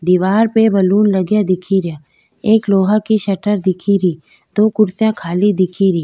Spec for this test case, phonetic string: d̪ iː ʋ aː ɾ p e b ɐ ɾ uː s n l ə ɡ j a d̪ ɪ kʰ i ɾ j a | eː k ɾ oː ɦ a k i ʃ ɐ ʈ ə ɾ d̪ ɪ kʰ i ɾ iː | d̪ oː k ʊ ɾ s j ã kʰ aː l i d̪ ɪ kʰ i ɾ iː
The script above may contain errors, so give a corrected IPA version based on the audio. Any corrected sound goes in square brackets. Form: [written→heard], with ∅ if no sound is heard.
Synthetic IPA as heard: d̪ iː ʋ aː ɾ p e b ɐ [ɾ→l] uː [s→∅] n l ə ɡ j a d̪ ɪ kʰ i ɾ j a | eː k [ɾ→l] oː ɦ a k i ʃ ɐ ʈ ə ɾ d̪ ɪ kʰ i ɾ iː | d̪ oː k ʊ ɾ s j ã kʰ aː l i d̪ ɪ kʰ i ɾ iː